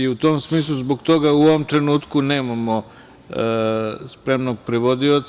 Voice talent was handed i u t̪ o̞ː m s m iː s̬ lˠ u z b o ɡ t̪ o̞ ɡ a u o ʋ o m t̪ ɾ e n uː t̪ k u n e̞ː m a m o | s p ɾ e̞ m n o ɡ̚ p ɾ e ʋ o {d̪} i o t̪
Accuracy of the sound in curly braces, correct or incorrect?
correct